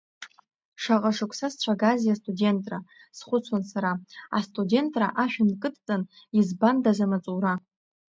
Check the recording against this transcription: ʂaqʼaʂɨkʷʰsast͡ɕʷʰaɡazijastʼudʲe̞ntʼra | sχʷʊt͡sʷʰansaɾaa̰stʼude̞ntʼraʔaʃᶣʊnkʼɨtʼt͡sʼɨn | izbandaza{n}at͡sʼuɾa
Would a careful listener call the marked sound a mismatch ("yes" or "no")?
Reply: yes